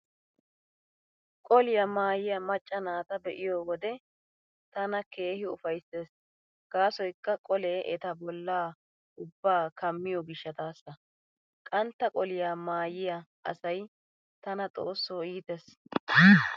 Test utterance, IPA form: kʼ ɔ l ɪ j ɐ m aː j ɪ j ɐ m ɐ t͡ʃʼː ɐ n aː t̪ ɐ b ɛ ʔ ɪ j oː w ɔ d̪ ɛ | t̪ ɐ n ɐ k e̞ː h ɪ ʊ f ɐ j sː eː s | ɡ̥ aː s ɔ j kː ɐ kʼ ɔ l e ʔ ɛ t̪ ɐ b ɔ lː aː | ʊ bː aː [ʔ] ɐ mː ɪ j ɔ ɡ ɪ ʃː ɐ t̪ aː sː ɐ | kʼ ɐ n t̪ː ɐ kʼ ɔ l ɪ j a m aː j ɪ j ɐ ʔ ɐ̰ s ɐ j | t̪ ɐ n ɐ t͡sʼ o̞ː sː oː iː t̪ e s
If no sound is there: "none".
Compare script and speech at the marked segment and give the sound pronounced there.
k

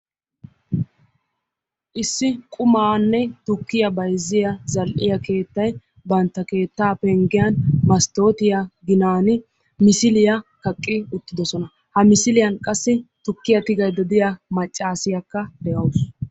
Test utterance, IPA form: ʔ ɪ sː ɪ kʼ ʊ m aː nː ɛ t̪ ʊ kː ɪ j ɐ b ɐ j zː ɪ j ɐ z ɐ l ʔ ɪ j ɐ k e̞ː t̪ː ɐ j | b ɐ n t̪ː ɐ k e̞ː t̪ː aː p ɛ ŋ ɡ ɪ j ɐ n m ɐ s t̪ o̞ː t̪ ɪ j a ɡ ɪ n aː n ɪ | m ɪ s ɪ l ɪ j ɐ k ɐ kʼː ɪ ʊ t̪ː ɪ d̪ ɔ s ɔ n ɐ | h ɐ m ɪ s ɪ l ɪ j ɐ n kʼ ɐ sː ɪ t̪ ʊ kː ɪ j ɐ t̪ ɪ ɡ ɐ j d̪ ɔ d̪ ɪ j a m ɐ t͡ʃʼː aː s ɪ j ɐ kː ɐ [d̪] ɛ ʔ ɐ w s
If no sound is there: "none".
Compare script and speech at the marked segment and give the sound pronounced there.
d̪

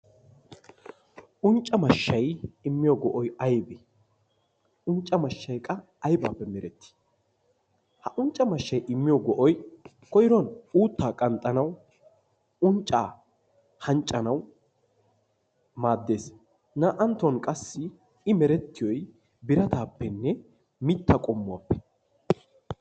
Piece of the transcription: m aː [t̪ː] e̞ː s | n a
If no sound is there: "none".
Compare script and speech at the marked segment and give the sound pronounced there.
d̪ː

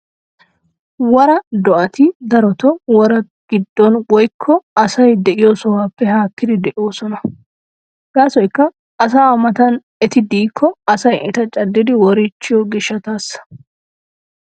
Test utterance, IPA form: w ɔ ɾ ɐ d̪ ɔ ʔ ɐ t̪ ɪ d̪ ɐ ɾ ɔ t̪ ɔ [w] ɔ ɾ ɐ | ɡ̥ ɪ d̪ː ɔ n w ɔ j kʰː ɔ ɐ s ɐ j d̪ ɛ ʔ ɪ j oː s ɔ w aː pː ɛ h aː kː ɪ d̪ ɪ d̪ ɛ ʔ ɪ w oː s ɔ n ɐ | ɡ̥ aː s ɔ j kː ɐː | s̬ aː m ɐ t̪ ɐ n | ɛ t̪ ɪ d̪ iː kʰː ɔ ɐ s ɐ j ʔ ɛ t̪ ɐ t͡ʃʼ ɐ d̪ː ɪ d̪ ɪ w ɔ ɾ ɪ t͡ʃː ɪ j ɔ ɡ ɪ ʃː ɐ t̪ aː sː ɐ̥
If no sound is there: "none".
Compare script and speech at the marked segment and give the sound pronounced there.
w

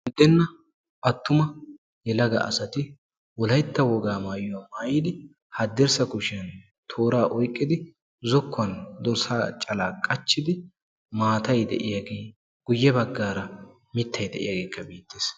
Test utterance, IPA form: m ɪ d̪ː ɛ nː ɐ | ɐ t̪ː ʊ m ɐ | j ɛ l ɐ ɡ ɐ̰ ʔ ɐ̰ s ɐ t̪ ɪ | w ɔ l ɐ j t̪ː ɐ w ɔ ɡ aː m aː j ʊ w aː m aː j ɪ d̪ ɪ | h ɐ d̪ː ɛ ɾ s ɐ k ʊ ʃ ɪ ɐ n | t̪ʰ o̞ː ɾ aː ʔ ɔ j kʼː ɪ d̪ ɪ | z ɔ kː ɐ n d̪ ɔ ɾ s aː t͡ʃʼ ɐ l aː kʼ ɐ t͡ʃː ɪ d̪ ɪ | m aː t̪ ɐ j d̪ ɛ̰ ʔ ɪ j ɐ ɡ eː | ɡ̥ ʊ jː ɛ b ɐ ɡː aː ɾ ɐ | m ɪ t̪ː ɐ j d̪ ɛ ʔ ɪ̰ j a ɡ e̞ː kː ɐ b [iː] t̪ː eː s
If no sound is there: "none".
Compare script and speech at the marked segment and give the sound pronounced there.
iː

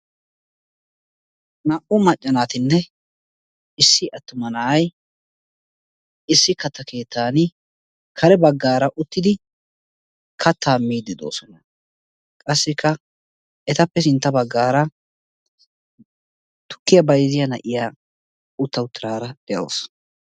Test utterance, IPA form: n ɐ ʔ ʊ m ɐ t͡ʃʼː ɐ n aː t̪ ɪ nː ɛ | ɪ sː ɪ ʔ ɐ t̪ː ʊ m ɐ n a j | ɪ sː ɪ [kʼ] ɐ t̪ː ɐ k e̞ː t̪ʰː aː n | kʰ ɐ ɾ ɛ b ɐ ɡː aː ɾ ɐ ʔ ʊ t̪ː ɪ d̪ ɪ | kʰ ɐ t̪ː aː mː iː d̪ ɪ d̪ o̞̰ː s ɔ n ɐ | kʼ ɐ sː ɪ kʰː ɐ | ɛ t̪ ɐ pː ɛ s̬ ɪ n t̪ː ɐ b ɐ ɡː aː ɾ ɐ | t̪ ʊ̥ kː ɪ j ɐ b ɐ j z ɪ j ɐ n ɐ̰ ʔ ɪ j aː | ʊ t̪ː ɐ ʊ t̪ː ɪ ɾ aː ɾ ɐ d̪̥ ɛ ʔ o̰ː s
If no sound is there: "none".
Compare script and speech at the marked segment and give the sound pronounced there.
k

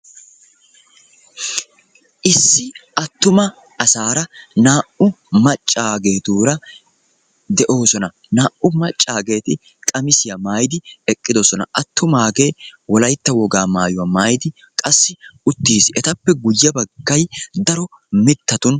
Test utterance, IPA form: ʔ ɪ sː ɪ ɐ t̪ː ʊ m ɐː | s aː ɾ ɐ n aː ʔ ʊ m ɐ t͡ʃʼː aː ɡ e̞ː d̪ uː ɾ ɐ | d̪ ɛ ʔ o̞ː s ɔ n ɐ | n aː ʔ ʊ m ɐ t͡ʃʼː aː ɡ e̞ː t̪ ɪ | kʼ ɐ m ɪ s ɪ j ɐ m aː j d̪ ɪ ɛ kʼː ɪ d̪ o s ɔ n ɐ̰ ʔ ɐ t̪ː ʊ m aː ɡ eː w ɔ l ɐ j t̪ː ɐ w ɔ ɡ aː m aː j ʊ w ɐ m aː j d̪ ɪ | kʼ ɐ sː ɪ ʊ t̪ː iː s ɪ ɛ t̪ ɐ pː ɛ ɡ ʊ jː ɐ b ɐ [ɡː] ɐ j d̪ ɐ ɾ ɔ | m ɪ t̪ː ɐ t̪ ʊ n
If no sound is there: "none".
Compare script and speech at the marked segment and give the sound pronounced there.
ɡː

